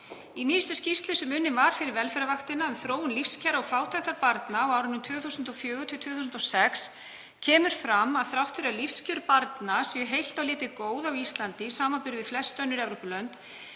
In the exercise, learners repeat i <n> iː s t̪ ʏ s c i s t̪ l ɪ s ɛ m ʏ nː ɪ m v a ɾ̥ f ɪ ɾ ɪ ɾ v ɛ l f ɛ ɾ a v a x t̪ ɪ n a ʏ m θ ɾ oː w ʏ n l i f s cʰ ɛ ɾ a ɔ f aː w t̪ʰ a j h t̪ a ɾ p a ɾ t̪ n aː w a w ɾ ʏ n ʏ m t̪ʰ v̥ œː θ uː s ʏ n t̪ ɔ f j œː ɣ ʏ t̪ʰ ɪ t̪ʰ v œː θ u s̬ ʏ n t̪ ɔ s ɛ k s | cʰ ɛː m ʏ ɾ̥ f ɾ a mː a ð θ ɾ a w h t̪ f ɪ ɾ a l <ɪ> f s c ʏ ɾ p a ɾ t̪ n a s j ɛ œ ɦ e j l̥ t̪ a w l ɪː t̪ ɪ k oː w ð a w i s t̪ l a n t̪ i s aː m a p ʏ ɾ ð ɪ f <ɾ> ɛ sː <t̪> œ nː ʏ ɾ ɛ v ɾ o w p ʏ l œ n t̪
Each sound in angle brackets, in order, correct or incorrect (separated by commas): correct, incorrect, incorrect, correct